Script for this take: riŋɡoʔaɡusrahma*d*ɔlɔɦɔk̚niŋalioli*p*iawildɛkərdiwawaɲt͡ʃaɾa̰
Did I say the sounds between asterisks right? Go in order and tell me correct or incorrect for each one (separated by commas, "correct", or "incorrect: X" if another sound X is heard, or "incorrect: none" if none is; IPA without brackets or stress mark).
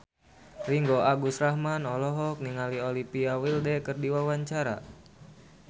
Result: incorrect: n, correct